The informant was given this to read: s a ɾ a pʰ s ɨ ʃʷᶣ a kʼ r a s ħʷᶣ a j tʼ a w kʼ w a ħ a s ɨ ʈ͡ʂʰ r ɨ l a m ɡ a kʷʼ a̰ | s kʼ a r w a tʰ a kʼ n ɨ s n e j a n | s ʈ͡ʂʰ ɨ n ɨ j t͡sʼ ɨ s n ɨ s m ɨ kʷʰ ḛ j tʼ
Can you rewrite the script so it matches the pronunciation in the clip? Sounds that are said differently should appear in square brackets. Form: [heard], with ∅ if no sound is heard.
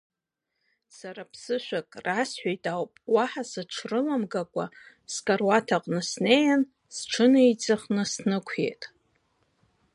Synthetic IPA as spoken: s a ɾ a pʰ s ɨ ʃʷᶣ a kʼ r a s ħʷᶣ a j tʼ a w [pʼ] w a ħ a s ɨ ʈ͡ʂʰ r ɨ l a m ɡ a kʷʼ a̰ | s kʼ a r w a tʰ a [qʼ] n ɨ s n e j a n | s ʈ͡ʂʰ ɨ n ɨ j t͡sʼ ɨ [χ] n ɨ s [n] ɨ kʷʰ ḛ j tʼ